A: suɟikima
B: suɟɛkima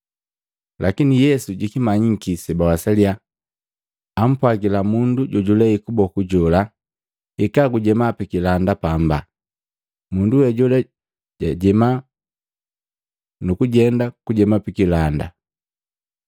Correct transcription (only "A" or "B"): A